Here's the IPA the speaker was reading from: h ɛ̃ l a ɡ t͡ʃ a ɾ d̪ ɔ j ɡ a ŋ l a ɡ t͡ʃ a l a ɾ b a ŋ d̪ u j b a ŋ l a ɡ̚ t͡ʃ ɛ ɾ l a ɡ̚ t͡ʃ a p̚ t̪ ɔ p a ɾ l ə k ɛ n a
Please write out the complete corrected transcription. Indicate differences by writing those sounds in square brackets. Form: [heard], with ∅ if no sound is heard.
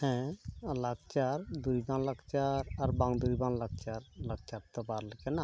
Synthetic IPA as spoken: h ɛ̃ l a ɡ t͡ʃ a ɾ d̪ [u] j [b] a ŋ l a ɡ t͡ʃ a [ɾ] a ɾ b a ŋ d̪ u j b a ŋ l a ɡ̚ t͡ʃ [a] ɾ l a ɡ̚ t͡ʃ a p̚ t̪ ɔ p a ɾ l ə k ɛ n a